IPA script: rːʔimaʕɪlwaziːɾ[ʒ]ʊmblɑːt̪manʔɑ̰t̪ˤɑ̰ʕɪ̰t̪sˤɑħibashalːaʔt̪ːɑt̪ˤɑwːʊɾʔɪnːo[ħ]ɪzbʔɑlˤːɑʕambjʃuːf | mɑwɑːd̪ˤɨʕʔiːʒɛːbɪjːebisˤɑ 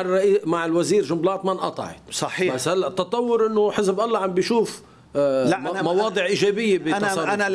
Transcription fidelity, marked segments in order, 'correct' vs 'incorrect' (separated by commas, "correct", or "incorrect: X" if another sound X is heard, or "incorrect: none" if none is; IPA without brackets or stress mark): correct, correct